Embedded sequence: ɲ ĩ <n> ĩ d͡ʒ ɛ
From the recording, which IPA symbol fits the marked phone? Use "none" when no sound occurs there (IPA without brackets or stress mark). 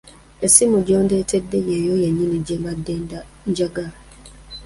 n